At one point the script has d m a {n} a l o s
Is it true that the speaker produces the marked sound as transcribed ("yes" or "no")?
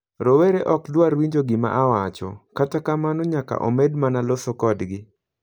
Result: yes